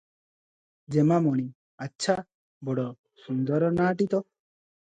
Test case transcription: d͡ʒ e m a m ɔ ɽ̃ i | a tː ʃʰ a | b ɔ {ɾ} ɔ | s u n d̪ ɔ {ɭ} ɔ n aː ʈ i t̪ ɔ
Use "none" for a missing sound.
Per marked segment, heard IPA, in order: ɽ, ɾ

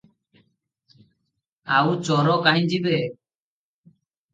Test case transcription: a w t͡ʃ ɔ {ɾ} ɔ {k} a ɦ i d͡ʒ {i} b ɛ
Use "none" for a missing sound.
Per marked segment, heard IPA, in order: ɾ, k, i

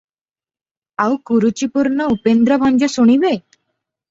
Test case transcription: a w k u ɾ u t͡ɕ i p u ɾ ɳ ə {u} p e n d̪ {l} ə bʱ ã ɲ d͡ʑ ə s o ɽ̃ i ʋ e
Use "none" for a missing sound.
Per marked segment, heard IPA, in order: u, ɾ

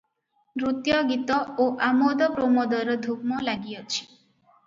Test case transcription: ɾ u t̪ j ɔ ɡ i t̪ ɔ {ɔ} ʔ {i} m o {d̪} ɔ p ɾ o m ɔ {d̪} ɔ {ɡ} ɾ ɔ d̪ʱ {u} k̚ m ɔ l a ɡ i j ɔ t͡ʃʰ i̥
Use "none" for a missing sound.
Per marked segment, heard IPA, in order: o, a, d̪, d̪, none, u

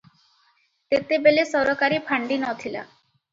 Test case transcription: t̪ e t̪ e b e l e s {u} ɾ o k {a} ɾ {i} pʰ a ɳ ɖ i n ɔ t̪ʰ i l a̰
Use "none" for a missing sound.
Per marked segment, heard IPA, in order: ɔ, a, i

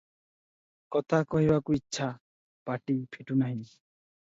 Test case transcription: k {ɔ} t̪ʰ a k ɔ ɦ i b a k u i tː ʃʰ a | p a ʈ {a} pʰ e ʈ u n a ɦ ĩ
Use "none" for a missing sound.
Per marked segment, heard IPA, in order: ɔ, i

